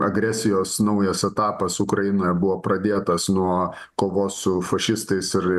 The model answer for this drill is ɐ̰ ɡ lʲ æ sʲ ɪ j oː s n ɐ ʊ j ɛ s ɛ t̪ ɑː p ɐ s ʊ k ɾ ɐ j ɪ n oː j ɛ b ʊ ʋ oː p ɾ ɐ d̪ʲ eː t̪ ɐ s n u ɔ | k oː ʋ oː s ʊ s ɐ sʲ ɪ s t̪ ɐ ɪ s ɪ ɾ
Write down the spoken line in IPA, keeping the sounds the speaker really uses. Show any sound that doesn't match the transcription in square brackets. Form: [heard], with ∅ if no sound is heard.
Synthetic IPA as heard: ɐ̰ ɡ [ɾʲ] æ sʲ ɪ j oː s n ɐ ʊ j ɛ s ɛ t̪ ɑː p ɐ s ʊ k ɾ ɐ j ɪ n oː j ɛ b ʊ ʋ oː p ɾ ɐ d̪ʲ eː t̪ ɐ s n u ɔ | k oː ʋ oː s ʊ [f] ɐ [ʃʲ] ɪ s t̪ ɐ ɪ s ɪ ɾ